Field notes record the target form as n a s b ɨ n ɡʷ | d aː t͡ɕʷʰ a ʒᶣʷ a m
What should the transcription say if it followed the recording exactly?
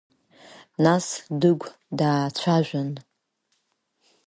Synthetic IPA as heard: n a s d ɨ ɡʷ | d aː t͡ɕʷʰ a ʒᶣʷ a n